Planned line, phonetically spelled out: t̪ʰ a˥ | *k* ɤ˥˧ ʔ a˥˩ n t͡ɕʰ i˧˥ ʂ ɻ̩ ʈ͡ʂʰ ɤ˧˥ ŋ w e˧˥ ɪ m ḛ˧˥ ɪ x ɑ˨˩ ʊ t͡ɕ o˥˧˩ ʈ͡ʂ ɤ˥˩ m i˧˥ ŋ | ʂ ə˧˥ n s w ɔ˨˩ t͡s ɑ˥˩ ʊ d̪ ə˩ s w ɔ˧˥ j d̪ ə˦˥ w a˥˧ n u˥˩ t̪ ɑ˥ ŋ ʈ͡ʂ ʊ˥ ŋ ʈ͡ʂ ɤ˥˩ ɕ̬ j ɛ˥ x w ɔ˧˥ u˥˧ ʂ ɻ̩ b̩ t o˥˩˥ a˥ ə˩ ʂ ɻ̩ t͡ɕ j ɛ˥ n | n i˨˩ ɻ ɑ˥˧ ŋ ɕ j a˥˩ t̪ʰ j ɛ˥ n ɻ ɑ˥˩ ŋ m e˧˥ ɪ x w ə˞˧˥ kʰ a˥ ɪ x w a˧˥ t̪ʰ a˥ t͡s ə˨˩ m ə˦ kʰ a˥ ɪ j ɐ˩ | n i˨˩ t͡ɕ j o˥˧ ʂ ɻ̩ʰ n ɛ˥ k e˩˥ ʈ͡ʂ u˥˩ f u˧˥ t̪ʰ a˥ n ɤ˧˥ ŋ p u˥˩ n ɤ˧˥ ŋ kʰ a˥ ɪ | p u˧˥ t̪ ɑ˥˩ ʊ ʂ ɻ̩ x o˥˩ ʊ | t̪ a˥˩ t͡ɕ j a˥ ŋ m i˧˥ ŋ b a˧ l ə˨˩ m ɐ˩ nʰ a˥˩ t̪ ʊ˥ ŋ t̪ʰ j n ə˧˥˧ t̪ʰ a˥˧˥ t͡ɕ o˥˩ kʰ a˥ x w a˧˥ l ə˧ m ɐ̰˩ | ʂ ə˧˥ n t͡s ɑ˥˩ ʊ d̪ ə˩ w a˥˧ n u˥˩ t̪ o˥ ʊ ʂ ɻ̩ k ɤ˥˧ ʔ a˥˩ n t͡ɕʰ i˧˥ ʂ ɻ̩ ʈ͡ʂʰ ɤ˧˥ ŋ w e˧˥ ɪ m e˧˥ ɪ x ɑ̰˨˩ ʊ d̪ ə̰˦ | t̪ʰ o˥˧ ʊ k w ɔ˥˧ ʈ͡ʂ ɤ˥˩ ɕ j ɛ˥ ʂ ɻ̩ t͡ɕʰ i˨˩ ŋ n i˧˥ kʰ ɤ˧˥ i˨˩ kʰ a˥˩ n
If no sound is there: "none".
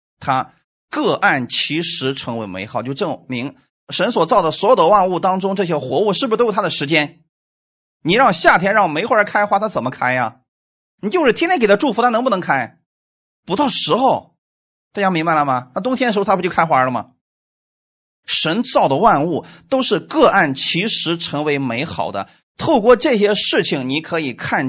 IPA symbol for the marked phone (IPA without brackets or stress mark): k